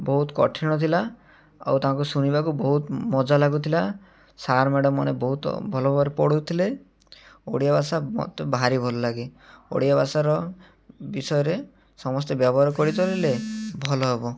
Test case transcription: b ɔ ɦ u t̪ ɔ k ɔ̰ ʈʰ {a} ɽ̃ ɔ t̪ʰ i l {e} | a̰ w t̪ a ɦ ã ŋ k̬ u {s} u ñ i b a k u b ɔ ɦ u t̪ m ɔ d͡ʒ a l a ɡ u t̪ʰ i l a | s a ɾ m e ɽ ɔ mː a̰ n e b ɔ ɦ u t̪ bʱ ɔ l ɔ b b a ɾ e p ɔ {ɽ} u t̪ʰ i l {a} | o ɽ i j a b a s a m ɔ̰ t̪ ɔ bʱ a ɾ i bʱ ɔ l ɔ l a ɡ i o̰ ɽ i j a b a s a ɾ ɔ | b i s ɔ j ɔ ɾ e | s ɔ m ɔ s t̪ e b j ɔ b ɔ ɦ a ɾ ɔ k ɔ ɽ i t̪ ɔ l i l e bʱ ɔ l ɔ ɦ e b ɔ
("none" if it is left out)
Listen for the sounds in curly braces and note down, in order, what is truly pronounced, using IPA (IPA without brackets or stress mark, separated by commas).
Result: i, a, s, ɽ, e